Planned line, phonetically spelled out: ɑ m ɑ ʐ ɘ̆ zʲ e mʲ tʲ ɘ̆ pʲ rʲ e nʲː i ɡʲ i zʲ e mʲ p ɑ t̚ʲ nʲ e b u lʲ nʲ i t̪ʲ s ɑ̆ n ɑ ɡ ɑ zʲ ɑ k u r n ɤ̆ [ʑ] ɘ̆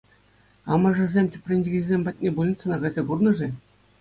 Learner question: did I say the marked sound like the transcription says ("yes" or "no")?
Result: no